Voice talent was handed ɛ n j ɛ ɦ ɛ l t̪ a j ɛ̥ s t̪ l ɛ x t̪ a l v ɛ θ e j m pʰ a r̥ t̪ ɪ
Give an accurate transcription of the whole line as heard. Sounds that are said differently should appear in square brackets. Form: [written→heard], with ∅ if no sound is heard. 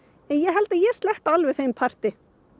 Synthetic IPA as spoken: ɛ n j ɛ ɦ ɛ l t̪ a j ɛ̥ s t̪ l ɛ [x→h] t̪ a l v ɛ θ e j m pʰ a r̥ t̪ ɪ